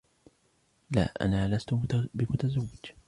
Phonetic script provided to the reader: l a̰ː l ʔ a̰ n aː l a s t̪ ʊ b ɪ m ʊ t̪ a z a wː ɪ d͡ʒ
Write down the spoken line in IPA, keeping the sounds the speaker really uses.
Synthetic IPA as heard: l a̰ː ʔ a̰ n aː l a s t̪ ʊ b ɪ m ʊ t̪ a z a wː ɪ d͡ʒ